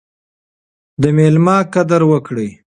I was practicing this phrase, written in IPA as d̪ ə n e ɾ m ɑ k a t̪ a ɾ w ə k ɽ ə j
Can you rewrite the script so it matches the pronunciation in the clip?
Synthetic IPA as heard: d̪ ə m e l m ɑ k a d̪ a ɾ w ə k ɽ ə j